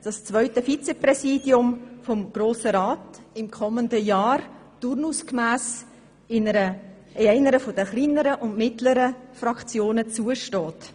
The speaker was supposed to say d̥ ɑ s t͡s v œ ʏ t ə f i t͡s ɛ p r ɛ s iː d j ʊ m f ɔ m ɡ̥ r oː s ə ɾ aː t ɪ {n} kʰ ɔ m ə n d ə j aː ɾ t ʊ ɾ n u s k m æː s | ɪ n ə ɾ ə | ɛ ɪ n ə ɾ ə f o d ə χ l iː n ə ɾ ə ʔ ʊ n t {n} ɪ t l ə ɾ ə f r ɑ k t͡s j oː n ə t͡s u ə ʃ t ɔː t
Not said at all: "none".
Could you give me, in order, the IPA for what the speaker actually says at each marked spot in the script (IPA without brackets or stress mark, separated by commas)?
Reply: m, m